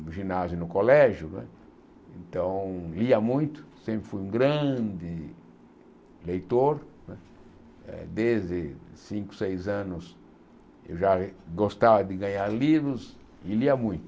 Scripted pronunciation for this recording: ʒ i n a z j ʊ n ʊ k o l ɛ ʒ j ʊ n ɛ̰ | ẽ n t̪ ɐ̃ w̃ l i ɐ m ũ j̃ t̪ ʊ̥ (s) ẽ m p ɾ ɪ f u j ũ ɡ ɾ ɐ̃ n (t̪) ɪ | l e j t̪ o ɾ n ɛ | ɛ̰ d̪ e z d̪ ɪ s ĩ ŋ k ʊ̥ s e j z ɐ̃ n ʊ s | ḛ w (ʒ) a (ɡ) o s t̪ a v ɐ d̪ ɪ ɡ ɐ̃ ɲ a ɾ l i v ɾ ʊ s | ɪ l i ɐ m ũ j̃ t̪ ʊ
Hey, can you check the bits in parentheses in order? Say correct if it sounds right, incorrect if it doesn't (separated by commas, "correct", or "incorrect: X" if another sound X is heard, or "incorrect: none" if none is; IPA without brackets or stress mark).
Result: correct, incorrect: d̪, correct, correct